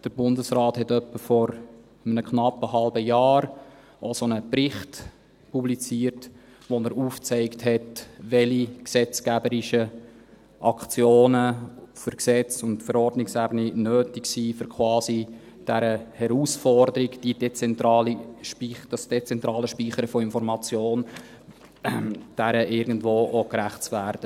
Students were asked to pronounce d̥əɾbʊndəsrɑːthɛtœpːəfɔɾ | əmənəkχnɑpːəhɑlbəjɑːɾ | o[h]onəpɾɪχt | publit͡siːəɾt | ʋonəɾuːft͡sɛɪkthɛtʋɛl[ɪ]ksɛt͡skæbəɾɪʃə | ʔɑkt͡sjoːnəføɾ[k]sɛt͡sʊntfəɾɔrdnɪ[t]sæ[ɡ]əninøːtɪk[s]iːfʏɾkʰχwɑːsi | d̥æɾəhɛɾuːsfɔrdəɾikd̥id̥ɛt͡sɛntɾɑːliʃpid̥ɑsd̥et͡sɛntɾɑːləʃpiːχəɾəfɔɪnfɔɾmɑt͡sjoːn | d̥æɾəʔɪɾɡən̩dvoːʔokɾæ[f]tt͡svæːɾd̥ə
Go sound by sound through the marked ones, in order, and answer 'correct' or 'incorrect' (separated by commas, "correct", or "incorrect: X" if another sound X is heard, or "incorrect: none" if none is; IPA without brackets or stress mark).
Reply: incorrect: s, incorrect: i, correct, incorrect: k, incorrect: b, correct, incorrect: χ